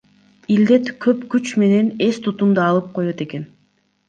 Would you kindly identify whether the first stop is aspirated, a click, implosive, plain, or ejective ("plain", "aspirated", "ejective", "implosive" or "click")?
plain